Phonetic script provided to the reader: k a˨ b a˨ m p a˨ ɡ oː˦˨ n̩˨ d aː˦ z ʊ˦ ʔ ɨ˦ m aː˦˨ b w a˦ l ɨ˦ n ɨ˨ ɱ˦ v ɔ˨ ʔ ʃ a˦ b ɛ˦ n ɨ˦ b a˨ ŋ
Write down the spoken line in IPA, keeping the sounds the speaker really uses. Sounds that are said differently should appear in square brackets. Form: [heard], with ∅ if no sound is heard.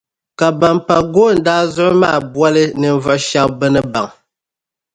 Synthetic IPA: k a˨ b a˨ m p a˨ ɡ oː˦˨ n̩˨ d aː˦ z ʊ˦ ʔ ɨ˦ m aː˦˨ b w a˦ l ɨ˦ n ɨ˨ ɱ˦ v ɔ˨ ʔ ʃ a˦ b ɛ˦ n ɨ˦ b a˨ ŋ